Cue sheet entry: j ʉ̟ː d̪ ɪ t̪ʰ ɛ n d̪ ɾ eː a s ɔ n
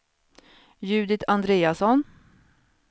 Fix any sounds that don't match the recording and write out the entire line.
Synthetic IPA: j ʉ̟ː d̪ ɪ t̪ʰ a n d̪ ɾ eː a s ɔ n